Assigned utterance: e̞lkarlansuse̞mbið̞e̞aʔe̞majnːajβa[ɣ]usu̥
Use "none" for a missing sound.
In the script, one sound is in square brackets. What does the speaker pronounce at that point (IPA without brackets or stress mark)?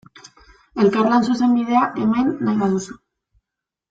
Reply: ð